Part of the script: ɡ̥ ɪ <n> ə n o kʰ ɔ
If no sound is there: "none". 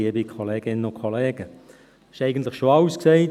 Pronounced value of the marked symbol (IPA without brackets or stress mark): n